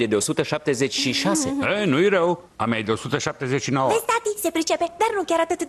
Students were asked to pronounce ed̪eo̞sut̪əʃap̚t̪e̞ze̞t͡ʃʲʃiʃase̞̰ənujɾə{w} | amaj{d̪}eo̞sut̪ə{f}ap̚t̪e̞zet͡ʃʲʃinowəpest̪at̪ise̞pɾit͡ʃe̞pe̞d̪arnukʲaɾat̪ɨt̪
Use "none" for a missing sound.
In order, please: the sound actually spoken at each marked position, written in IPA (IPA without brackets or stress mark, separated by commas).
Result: w, d̪, ʃ